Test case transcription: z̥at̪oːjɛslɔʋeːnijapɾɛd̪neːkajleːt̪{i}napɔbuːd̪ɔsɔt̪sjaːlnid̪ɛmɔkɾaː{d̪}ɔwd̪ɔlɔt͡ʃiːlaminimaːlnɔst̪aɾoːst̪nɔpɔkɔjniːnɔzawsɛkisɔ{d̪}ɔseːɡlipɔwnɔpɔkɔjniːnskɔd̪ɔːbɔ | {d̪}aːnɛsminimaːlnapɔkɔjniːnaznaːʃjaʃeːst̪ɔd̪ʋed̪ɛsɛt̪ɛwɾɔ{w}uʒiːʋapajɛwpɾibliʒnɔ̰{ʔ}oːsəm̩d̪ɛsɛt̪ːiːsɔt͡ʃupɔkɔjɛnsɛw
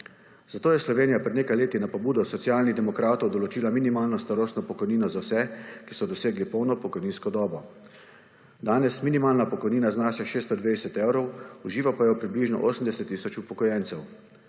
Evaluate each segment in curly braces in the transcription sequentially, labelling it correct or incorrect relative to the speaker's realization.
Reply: correct, incorrect: t̪, correct, correct, correct, correct

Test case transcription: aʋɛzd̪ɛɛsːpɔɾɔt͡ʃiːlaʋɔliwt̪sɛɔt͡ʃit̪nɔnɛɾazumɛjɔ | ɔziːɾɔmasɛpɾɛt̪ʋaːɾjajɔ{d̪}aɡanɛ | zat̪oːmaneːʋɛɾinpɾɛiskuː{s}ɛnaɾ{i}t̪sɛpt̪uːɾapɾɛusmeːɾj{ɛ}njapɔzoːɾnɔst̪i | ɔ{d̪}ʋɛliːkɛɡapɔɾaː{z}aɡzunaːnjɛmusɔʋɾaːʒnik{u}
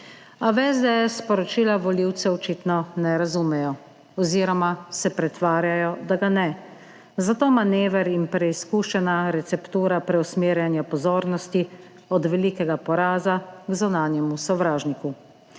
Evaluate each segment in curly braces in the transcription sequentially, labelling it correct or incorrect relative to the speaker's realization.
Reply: correct, incorrect: ʃ, incorrect: ɛ, incorrect: a, correct, correct, correct

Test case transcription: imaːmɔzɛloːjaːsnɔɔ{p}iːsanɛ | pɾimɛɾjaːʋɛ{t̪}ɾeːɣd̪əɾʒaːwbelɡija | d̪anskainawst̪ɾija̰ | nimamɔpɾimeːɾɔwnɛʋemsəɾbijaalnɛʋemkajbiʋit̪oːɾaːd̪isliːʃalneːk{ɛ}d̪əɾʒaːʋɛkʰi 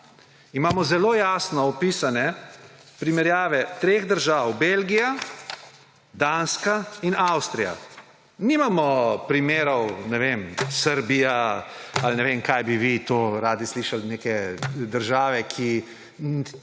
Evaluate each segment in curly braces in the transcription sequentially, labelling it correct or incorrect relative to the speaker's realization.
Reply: correct, correct, correct

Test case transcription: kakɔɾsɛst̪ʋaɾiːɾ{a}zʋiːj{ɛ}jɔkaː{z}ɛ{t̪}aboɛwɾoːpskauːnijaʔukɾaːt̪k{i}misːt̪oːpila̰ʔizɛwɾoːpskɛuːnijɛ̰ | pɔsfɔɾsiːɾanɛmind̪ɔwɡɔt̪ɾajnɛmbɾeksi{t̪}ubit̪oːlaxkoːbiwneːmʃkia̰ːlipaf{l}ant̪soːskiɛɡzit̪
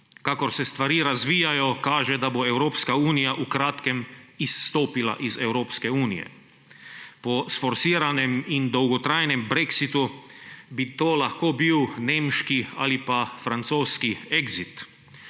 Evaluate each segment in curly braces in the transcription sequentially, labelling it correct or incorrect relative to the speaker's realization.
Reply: correct, incorrect: a, incorrect: ʒ, incorrect: d̪, incorrect: ɛ, correct, incorrect: ɾ

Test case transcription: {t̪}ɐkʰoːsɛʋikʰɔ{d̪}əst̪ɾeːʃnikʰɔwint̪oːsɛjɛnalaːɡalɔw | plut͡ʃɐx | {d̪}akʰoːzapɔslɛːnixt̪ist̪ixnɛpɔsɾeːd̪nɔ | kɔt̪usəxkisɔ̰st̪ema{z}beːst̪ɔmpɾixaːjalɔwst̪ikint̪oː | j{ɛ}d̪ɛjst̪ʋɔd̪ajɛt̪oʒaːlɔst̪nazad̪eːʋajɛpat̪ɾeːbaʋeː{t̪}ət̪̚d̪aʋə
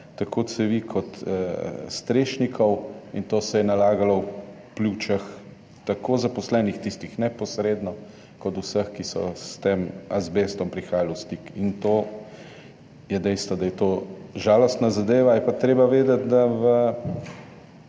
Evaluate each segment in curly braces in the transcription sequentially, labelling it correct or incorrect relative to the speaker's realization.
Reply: correct, incorrect: t̪, incorrect: t̪, correct, correct, incorrect: d̪

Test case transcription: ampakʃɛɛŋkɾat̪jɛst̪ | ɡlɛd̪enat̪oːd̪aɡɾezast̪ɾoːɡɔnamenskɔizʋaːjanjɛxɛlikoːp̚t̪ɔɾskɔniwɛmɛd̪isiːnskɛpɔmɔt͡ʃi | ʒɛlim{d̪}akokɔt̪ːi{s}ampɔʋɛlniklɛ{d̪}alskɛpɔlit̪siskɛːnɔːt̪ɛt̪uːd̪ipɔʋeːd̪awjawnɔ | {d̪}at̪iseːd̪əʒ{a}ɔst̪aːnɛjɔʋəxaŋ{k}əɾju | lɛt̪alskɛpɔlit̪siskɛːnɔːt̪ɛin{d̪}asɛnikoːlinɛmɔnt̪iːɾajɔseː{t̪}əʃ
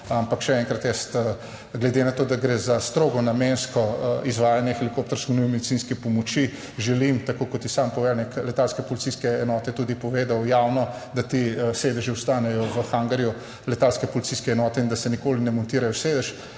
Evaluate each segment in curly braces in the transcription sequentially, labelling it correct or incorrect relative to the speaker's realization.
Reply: incorrect: t̪, correct, incorrect: t̪, correct, incorrect: i, incorrect: ɡ, correct, incorrect: d̪

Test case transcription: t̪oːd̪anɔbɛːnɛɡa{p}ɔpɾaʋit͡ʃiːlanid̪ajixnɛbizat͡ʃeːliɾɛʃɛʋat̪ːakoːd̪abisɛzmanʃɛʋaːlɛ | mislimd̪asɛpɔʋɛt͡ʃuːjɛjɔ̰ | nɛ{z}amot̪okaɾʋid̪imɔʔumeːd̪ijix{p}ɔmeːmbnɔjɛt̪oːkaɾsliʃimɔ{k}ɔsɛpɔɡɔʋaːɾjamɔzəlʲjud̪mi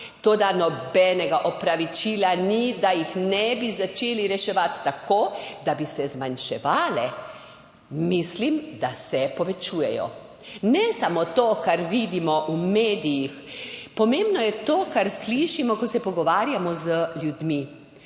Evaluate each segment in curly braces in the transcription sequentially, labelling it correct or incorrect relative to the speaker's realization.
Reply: incorrect: ʔ, incorrect: s, correct, correct

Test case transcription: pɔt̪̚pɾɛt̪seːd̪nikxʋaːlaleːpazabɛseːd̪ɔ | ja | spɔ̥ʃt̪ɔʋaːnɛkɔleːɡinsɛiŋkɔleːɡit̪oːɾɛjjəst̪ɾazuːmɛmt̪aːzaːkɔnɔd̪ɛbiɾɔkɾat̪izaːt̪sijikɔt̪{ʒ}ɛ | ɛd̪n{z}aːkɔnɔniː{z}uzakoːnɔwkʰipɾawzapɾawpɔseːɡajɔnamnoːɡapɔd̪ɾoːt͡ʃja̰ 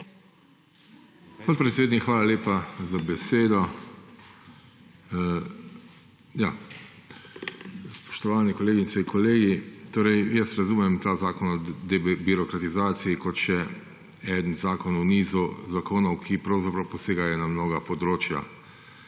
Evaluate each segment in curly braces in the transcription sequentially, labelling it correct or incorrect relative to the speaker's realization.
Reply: incorrect: ʃ, correct, correct

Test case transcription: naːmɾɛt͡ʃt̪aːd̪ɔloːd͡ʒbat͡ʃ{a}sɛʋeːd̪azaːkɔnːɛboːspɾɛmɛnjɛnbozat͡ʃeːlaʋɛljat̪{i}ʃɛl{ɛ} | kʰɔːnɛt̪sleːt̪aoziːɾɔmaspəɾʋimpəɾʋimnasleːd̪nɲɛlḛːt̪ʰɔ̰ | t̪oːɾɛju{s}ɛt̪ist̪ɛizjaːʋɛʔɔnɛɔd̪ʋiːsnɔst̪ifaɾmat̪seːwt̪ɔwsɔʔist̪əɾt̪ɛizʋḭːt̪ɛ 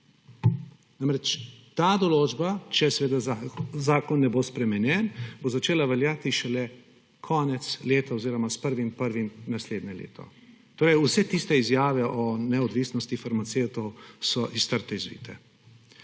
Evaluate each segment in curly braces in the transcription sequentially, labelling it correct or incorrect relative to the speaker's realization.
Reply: incorrect: ɛ, correct, correct, correct

